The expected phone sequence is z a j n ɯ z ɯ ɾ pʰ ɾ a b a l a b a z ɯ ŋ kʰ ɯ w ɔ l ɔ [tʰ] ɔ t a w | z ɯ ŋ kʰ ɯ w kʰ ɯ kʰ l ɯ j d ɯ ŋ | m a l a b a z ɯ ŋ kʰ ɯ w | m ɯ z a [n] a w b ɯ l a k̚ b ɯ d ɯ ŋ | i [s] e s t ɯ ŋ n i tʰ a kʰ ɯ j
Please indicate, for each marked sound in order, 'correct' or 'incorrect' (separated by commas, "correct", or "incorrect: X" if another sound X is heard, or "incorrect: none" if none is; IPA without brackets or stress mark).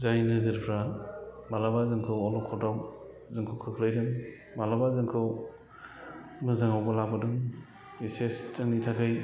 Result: incorrect: kʰ, incorrect: ŋ, correct